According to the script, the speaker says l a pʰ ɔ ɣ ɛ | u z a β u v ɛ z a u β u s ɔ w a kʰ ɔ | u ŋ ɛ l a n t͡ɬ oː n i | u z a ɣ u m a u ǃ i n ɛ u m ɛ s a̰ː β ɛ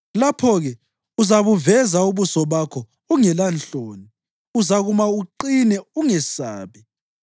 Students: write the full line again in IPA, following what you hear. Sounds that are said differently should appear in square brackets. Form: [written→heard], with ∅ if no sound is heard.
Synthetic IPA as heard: l a pʰ ɔ ɣ ɛ | u z a β u v ɛ z a u β u s ɔ [w→β] a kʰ ɔ | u ŋ ɛ l a n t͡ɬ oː n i | u z a ɣ u m a u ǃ i n ɛ u [m→ŋ] ɛ s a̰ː β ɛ

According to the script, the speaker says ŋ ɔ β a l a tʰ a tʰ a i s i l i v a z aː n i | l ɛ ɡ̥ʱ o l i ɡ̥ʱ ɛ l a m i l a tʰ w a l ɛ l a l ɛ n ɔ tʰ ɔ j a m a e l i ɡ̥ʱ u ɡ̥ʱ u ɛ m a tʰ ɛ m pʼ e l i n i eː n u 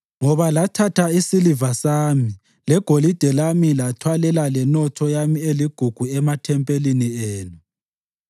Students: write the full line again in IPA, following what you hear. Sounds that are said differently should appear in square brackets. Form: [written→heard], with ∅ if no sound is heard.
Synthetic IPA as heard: ŋ ɔ β a l a tʰ a tʰ a i s i l i v a [z→s] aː [n→m] i | l ɛ ɡ̥ʱ o l i [ɡ̥ʱ→d̥ʱ] ɛ l a m i l a tʰ w a l ɛ l a l ɛ n ɔ tʰ ɔ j a m [a→i] e l i ɡ̥ʱ u ɡ̥ʱ u ɛ m a tʰ ɛ m pʼ e l i n i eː n u

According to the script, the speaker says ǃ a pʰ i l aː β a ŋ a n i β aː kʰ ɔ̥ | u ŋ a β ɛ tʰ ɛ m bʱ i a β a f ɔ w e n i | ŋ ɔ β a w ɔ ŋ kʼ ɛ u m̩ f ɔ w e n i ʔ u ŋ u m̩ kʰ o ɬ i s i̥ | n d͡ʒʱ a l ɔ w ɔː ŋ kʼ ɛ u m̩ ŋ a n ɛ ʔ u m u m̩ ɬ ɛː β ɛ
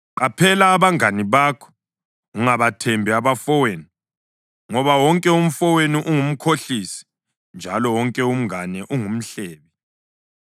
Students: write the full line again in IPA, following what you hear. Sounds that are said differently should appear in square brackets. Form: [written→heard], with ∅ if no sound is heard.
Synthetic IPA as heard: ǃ a pʰ [i→ɛ] l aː β a ŋ a n i β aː kʰ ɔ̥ | u ŋ a β [ɛ→a] tʰ ɛ m bʱ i a β a f ɔ w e n i | ŋ ɔ β a w ɔ ŋ kʼ ɛ u m̩ f ɔ w e n i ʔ u ŋ u m̩ kʰ o ɬ i s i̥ | n d͡ʒʱ a l ɔ w [ɔː→ɔ] ŋ kʼ ɛ u m̩ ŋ a n ɛ ʔ u [m→ŋ] u m̩ ɬ ɛː β ɛ

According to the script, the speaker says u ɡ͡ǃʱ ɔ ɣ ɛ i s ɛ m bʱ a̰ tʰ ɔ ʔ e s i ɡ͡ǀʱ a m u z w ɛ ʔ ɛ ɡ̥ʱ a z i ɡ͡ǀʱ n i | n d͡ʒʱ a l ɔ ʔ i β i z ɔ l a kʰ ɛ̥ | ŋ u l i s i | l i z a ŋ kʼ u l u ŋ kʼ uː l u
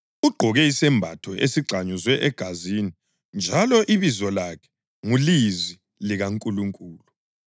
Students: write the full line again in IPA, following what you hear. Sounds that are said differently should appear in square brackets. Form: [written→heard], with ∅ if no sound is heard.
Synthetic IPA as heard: u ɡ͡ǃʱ ɔ ɣ ɛ i s ɛ m bʱ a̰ tʰ ɔ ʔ e s i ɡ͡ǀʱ a [m→ɲ] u z w ɛ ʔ ɛ ɡ̥ʱ a z i [ɡ͡ǀʱ→∅] n i | n d͡ʒʱ a l ɔ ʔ i β i z ɔ l a kʰ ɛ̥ | ŋ u l i [s→z] i | l i [z→ɣ] a ŋ kʼ u l u ŋ kʼ uː l u

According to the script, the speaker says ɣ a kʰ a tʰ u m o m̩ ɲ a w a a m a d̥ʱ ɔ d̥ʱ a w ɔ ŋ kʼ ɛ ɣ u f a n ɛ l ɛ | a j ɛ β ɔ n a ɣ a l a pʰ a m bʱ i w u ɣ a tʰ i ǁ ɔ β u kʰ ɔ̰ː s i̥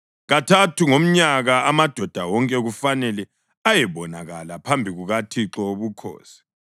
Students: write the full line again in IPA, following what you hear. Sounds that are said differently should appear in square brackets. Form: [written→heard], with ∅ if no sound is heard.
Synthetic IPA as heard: ɣ a [kʰ→tʰ] a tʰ u [m→ŋ] o m̩ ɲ a [w→ɣ] a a m a d̥ʱ ɔ d̥ʱ a w ɔ ŋ kʼ ɛ ɣ u f a n ɛ l ɛ | a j ɛ β ɔ n a ɣ a l a pʰ a m bʱ i [w→ɣ] u ɣ a tʰ i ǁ ɔ β u kʰ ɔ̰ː s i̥

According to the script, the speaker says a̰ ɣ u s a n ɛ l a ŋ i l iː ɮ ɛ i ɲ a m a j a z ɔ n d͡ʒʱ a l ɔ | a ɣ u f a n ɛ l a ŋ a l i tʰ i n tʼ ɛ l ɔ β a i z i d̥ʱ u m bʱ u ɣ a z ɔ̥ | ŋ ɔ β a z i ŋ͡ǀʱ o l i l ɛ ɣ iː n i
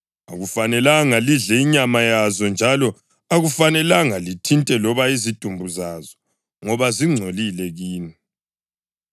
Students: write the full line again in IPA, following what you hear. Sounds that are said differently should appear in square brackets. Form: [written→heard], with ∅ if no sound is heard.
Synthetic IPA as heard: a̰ ɣ u [s→f] a n ɛ l a ŋ [i→a] l [iː→i] ɮ ɛ i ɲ a m a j a z ɔ n d͡ʒʱ a l ɔ | a ɣ u f a n ɛ l a ŋ a l i tʰ i n tʼ ɛ l ɔ β a i z i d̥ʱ u m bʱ u [ɣ→z] a z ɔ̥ | ŋ ɔ β a z i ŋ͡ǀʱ o l i l ɛ ɣ iː n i

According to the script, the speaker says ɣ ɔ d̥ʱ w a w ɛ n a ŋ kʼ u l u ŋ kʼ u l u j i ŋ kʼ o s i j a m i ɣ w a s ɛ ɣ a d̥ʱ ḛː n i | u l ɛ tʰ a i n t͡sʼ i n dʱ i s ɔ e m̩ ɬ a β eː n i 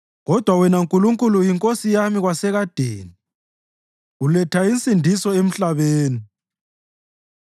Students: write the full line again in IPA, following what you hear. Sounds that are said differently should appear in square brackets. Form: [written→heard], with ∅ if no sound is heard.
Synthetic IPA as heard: ɣ ɔ d̥ʱ w a w ɛ n a ŋ kʼ u l u ŋ kʼ u l u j i ŋ kʼ o s i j a m i ɣ w a s ɛ ɣ a d̥ʱ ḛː n i | u l ɛ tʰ a i n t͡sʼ i n dʱ i s ɔ e m̩ ɬ a β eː n i

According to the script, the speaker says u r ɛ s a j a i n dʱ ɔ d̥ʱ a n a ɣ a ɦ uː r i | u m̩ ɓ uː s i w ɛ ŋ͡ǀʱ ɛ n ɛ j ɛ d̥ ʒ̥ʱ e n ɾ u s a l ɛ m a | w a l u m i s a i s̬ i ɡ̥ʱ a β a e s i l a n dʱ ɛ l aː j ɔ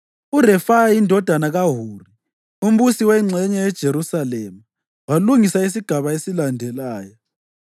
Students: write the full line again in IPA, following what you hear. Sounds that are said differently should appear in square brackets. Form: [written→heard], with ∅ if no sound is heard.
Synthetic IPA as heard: u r ɛ [s→f] a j a i n dʱ ɔ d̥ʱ a n a ɣ a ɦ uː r i | u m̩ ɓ [uː→u] s i w ɛ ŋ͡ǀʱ ɛ [n→ɲ] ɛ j ɛ d̥ ʒ̥ʱ e [n→∅] ɾ u s a l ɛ m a | w a l u [m→ŋ] i s a i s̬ i ɡ̥ʱ a β a e s i l a n dʱ ɛ l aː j ɔ

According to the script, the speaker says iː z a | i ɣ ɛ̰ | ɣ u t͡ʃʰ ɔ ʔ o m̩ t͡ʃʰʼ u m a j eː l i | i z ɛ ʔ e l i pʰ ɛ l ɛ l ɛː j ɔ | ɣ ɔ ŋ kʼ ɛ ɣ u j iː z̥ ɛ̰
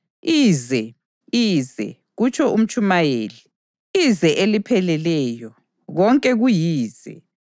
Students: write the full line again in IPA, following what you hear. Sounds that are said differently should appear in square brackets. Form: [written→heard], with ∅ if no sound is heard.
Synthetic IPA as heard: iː z [a→ɛ] | i [ɣ→z] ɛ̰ | ɣ u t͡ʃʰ ɔ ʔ [o→u] m̩ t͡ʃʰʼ u m a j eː l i | i z ɛ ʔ e l i pʰ ɛ l ɛ l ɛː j ɔ | ɣ ɔ ŋ kʼ ɛ ɣ u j iː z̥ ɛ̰

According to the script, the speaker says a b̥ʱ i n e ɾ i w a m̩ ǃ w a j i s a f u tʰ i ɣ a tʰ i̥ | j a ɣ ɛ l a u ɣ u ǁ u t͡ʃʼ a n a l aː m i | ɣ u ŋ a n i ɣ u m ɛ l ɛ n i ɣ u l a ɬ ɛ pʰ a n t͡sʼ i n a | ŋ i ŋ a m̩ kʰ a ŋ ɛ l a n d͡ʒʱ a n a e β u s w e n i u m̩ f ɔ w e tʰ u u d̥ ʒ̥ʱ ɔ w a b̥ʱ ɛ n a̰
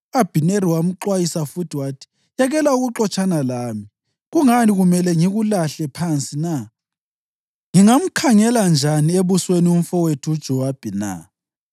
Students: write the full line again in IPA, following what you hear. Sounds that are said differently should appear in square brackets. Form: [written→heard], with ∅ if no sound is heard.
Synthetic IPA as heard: a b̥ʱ i n e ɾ i w a m̩ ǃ w a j i s a f u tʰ i [ɣ→w] a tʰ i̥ | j a ɣ ɛ l a u ɣ u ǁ [u→ɔ] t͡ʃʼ a n a l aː m i | ɣ u ŋ a n i ɣ u m ɛ l ɛ [n→ŋ] i ɣ u l a ɬ ɛ pʰ a n t͡sʼ i n a | ŋ i ŋ a m̩ kʰ a ŋ ɛ l a n d͡ʒʱ a n [a→i] e β u s w e n i u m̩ f ɔ w e tʰ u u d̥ ʒ̥ʱ ɔ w a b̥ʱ ɛ n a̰

